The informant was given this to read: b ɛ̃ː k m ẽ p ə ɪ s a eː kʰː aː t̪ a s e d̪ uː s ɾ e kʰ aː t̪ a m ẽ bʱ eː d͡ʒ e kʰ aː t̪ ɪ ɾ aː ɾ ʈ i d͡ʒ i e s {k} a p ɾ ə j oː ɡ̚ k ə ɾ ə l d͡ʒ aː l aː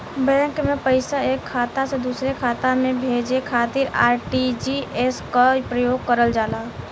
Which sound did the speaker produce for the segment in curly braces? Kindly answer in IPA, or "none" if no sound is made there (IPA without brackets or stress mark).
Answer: k